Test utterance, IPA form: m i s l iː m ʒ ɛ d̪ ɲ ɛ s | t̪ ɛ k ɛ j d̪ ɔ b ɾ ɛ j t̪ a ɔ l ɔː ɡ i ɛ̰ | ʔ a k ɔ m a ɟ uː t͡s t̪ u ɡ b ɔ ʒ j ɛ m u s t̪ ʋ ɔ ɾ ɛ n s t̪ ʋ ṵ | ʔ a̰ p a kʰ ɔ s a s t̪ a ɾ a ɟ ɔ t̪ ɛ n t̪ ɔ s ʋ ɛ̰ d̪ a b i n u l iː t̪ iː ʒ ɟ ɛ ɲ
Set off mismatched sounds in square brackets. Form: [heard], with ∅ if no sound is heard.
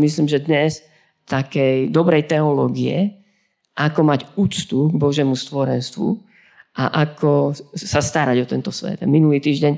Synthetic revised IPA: m i s l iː m ʒ ɛ d̪ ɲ ɛ s | t̪ [a] k ɛ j d̪ ɔ b ɾ ɛ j t̪ [ɛ] ɔ l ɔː ɡ i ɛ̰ | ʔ a k ɔ m a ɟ uː t͡s t̪ u ɡ b ɔ ʒ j ɛ m u s t̪ ʋ ɔ ɾ ɛ n s t̪ ʋ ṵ | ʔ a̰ [ʔ] a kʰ ɔ s a s t̪ a ɾ a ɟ ɔ t̪ ɛ n t̪ ɔ s ʋ ɛ̰ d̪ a [m] i n u l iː t̪ iː ʒ ɟ ɛ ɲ